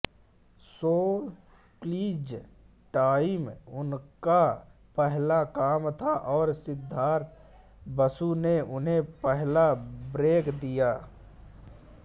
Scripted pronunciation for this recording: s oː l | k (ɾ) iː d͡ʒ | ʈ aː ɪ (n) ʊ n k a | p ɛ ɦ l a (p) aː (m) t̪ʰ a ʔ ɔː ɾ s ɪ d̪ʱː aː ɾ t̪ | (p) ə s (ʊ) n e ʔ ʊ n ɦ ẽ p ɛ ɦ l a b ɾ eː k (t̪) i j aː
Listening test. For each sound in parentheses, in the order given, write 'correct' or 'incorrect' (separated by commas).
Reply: incorrect, incorrect, incorrect, correct, incorrect, incorrect, incorrect